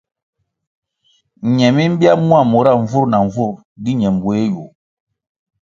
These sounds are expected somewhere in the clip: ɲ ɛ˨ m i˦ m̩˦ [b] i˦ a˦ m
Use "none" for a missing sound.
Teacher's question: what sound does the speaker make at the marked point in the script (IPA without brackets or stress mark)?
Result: b